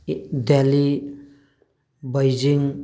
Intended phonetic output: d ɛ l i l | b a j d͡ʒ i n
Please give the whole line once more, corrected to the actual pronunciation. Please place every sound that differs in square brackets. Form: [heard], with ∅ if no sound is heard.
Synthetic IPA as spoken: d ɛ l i [∅] | b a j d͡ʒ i [ŋ]